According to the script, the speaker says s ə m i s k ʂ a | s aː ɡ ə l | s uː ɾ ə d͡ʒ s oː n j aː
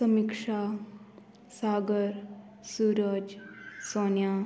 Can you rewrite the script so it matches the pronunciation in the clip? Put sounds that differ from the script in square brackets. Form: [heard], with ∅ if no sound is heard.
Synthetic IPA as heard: s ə m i [∅] k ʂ a | s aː ɡ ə [ɾ] | s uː ɾ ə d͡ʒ s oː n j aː